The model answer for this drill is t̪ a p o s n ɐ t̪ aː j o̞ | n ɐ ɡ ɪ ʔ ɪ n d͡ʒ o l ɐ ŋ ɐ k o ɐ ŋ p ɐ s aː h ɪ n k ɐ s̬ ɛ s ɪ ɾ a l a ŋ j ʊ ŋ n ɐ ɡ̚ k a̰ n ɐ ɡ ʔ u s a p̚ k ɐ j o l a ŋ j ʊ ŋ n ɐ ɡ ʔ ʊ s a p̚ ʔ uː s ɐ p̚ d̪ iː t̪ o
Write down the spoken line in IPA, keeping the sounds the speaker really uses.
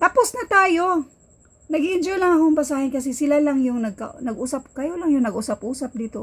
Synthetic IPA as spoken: t̪ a p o s n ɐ t̪ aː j o̞ | n ɐ ɡ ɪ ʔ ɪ n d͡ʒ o l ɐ ŋ ɐ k o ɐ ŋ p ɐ s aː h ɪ n k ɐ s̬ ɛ s ɪ l a l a ŋ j ʊ ŋ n ɐ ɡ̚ k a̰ n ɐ ɡ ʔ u s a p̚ k ɐ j o l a ŋ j ʊ ŋ n ɐ ɡ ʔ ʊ s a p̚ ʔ uː s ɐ p̚ d̪ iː t̪ o